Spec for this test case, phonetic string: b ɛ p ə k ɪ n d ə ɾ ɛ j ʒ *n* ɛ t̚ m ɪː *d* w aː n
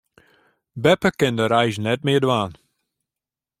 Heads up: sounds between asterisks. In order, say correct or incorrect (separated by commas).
correct, correct